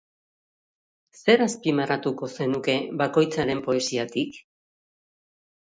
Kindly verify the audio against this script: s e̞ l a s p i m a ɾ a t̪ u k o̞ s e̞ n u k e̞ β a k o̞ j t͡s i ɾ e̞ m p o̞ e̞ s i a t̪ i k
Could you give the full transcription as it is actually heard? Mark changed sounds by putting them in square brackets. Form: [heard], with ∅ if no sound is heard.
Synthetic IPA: s e̞ [ɾ] a s p i m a ɾ a t̪ u k o̞ s e̞ n u k e̞ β a k o̞ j t͡s [a] ɾ e̞ m p o̞ e̞ s i a t̪ i k